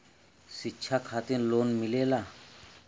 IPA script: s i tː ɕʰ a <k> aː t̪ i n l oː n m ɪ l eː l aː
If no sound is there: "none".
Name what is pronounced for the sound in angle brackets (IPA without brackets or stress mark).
kʰ